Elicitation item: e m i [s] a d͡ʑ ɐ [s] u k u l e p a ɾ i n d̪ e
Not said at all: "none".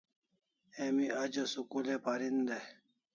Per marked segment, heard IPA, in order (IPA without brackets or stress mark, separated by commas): none, s